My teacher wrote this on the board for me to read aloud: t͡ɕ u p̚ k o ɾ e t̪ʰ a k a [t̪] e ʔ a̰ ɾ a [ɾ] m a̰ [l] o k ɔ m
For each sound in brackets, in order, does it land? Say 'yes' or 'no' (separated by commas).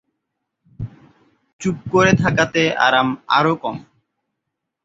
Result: yes, no, no